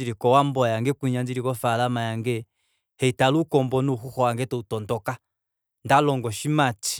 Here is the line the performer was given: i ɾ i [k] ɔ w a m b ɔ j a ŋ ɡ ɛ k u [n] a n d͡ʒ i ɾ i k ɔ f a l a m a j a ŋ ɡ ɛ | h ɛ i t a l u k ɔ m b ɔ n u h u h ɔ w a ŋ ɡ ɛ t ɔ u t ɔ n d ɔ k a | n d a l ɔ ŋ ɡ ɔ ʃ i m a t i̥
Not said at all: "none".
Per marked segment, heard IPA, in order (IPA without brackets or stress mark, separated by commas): k, ɲ